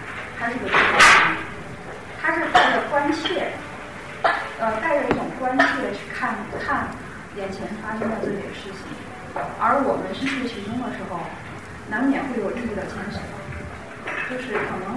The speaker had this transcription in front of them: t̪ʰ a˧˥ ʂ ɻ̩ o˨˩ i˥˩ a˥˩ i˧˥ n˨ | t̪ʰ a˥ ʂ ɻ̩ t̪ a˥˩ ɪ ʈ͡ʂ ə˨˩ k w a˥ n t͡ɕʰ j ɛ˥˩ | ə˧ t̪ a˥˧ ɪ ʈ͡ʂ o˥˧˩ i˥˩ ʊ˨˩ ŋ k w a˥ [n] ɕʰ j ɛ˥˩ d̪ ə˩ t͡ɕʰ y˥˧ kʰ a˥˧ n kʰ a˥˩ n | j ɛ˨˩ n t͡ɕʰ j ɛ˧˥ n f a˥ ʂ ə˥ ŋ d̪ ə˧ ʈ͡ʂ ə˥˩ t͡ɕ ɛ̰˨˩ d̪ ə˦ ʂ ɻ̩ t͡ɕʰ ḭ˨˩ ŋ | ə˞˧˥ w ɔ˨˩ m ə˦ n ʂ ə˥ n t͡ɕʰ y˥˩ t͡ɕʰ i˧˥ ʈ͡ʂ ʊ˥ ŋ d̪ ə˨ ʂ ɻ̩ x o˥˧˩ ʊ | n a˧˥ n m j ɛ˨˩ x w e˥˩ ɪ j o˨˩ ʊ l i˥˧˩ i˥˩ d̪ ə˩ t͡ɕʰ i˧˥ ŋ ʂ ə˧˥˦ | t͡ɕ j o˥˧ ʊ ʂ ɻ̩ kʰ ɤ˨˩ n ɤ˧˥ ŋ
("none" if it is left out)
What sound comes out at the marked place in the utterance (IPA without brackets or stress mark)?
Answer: n